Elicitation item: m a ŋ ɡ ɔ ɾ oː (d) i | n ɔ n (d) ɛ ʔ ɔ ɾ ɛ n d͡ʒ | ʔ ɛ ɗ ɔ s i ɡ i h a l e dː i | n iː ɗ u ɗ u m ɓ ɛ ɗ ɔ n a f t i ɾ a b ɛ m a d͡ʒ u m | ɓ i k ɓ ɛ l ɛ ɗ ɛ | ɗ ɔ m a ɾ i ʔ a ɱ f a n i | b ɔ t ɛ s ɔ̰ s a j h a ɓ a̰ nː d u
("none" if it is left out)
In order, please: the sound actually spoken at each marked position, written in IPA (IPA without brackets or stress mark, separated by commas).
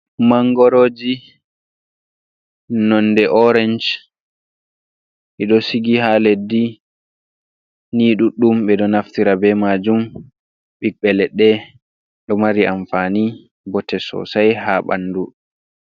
d͡ʒ, d